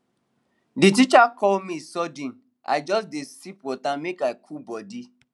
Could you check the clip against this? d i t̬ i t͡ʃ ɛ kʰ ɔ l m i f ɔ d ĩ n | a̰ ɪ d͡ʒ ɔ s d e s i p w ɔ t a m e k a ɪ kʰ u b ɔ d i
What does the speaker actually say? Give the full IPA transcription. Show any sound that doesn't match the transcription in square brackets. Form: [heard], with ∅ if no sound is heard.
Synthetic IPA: d i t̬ i t͡ʃ [a] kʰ ɔ l m i [s] ɔ d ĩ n | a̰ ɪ d͡ʒ ɔ s d e s i p w ɔ t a m e k a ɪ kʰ u b ɔ d i